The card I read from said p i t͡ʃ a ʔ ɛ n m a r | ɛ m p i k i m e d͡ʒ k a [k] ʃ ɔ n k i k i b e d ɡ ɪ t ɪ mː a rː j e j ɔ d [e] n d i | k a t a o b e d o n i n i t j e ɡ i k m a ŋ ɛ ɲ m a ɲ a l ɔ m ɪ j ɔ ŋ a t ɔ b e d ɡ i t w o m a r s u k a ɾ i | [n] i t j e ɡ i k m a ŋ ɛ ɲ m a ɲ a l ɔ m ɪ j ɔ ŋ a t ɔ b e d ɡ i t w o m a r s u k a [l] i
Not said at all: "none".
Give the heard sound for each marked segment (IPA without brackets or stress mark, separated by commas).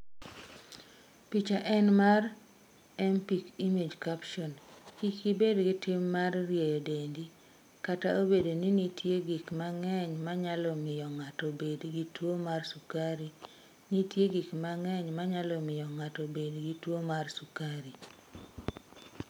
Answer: p, e, n, ɾ